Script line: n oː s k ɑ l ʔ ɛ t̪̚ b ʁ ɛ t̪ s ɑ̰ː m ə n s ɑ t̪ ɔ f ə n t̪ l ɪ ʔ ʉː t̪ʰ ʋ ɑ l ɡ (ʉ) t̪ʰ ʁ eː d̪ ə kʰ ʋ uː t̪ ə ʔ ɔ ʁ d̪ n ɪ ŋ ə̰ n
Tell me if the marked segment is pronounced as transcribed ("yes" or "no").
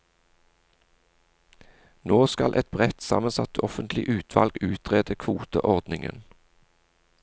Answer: no